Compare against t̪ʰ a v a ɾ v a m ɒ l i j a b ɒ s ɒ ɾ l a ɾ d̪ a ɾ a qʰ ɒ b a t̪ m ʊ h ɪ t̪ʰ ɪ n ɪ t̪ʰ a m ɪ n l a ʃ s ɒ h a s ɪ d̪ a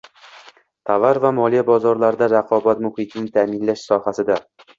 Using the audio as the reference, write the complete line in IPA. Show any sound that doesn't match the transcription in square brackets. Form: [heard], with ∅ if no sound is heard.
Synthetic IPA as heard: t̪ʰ a v a ɾ v a m ɒ l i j a b ɒ [z] ɒ ɾ l a ɾ d̪ a ɾ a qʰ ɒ b a t̪ m ʊ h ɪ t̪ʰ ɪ n ɪ t̪ʰ a m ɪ n l a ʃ s ɒ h a s ɪ d̪ a